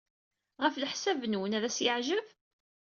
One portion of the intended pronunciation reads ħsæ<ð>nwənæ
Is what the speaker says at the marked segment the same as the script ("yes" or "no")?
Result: no